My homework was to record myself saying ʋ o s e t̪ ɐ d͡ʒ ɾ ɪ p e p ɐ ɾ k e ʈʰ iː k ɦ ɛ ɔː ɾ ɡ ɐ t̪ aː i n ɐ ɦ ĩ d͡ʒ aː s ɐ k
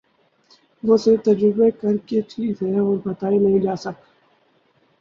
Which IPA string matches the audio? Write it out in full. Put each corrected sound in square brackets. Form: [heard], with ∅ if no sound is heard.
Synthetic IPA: ʋ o s e t̪ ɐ d͡ʒ ɾ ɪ [b] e [k] ɐ ɾ k e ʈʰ iː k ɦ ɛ ɔː ɾ [b] ɐ t̪ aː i n ɐ ɦ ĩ d͡ʒ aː s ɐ k